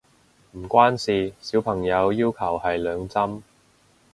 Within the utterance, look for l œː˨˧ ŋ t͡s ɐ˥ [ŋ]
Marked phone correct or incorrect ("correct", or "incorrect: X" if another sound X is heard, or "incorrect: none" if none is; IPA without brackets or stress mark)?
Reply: incorrect: m